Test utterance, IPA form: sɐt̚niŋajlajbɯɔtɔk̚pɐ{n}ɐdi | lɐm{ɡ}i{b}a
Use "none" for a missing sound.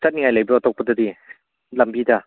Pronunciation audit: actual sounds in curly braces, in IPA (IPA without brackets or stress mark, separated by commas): d, b, d